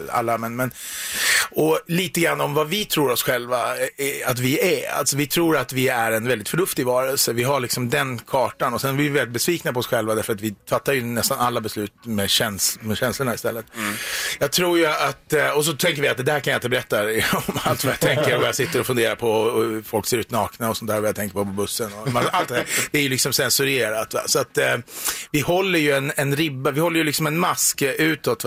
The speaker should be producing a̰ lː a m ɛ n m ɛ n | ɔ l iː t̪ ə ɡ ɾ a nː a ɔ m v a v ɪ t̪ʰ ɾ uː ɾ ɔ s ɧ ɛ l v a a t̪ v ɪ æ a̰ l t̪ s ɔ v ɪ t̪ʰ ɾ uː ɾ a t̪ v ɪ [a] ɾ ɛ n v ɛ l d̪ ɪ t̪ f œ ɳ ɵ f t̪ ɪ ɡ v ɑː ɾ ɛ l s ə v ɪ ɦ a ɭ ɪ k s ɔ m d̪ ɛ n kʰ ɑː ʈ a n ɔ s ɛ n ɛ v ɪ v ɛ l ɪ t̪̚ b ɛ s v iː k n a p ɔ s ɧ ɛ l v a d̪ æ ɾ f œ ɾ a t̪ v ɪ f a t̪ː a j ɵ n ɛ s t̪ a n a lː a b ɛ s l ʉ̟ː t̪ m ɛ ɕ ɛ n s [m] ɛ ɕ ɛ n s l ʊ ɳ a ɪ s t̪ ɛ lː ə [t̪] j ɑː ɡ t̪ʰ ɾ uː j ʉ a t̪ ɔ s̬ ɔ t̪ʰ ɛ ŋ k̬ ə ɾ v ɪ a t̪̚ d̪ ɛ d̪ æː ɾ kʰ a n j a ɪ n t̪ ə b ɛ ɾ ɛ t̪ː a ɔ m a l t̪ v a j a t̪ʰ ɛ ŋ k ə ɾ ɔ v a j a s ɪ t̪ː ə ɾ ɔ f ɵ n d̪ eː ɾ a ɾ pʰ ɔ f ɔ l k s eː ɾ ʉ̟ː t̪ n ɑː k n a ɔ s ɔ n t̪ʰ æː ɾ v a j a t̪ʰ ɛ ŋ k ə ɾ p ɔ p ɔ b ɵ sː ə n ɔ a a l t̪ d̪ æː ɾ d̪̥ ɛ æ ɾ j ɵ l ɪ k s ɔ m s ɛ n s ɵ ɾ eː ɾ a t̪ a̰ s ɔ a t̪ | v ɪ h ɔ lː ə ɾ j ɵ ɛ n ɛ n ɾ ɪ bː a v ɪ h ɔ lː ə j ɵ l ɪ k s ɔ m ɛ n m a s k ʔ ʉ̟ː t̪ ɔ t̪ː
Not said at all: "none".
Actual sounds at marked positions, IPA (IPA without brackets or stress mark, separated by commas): æ, m, t̪